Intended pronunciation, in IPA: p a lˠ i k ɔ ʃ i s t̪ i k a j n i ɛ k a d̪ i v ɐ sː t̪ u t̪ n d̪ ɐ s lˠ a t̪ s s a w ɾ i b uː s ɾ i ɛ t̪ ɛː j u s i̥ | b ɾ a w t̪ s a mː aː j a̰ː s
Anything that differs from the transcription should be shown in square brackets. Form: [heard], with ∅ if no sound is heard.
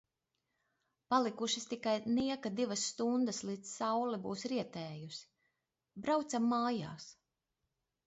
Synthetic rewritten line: p a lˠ i k [u] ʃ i s t̪ i k a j n i ɛ k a d̪ i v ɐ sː t̪ u [∅] n d̪ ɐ s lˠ [i] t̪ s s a w [l] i b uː s ɾ i ɛ t̪ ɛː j u s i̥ | b ɾ a w t̪ s a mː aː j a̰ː s